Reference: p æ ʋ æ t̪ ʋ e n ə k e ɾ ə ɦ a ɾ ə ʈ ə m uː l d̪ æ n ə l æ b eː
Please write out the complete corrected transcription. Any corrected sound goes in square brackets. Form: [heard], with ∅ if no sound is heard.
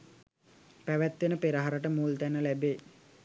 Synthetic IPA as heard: p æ ʋ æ t̪ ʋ e n ə [p] e ɾ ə ɦ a ɾ ə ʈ ə m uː l [t̪] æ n ə l æ b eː

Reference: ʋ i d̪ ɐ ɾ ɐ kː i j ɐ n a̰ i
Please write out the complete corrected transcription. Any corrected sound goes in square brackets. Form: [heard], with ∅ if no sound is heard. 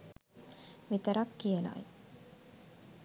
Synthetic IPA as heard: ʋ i [t̪] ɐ ɾ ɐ kː i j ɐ n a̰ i

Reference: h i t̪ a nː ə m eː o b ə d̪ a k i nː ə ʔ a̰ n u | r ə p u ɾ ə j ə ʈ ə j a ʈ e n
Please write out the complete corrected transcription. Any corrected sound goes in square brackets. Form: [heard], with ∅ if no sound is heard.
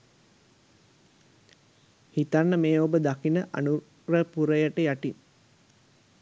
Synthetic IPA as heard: h i t̪ a nː ə m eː o b ə d̪ a k i [n] ə ʔ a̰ n u | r ə p u ɾ ə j ə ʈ ə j a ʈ [i] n

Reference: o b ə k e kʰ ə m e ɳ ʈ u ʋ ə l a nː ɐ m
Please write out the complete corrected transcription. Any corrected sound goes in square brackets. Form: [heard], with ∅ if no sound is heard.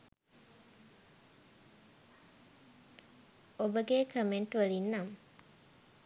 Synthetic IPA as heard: o b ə [ɡ] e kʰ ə m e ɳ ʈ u ʋ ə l [i] nː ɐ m

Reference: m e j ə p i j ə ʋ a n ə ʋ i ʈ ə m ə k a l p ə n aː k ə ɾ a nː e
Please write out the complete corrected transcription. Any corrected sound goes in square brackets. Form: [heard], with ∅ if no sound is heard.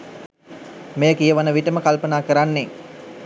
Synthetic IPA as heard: m e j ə [k] i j ə ʋ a n ə ʋ i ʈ ə m ə k a l p ə n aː k ə ɾ a nː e

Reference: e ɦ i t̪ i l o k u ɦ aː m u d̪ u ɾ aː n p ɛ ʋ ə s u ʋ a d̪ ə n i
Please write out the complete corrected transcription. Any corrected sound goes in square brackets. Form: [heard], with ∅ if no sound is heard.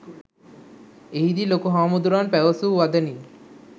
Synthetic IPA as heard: e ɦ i [d̪] i l o k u ɦ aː m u d̪ u ɾ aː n p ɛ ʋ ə s u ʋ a d̪ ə n i

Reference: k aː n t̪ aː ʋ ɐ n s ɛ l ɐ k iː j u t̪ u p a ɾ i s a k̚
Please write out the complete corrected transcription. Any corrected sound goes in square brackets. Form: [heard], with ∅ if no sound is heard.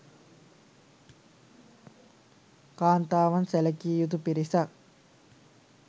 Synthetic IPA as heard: k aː n t̪ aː ʋ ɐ n s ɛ l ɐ k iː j u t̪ u p [i] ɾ i s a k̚

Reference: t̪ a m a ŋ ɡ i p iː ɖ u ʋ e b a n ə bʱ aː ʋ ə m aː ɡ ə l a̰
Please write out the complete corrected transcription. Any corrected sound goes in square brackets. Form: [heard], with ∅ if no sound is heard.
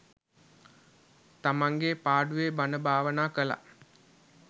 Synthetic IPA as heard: t̪ a m a ŋ ɡ [e] p [aː] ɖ u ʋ e b a n ə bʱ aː ʋ ə [n] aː [k] ə l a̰

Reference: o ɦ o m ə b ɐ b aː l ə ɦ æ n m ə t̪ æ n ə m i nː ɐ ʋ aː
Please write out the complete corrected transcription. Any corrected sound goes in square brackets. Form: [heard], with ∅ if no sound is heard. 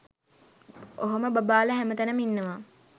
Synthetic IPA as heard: o ɦ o m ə b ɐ b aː l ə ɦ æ [∅] m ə t̪ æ n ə m i nː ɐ ʋ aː

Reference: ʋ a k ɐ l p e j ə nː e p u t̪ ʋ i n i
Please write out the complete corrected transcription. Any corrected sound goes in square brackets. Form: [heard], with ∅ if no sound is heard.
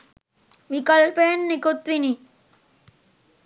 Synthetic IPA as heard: ʋ [i] k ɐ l p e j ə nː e [k] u t̪ ʋ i n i

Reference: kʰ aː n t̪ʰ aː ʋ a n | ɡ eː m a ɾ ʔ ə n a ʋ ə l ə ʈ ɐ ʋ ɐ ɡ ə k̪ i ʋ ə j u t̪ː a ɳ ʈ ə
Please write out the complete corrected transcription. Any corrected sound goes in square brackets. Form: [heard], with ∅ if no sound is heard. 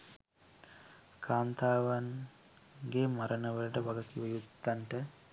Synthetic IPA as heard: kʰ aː n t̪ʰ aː ʋ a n | ɡ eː m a ɾ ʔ ə n [ə] ʋ ə l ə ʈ [ə] ʋ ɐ ɡ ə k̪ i ʋ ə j u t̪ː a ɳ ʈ ə

